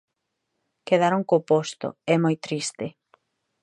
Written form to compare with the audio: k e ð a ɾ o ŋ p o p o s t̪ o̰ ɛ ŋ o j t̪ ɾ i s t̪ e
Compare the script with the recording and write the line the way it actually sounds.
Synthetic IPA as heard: k e ð a ɾ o ŋ k o p o s t̪ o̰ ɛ m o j t̪ ɾ i s t̪ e